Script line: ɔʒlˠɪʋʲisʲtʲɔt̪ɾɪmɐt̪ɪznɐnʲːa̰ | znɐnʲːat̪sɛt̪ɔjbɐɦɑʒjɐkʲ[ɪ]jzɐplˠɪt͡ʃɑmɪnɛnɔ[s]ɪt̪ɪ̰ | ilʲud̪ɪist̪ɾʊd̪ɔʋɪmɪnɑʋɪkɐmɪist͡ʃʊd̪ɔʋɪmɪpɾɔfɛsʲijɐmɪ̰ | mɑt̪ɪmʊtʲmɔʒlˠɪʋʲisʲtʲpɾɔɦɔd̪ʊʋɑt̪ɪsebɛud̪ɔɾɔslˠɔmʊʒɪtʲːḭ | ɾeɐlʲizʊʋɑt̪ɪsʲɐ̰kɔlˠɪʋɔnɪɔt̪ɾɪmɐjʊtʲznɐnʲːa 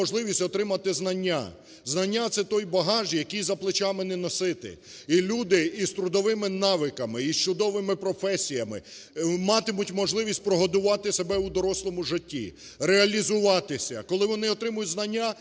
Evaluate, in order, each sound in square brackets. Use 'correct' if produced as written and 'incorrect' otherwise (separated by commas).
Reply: incorrect, correct